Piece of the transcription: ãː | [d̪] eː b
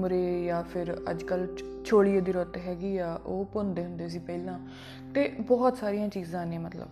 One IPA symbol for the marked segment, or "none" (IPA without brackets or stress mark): t̪